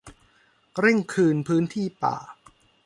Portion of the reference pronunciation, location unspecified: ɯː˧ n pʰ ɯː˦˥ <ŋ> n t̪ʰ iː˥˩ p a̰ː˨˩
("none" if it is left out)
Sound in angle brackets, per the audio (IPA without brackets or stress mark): none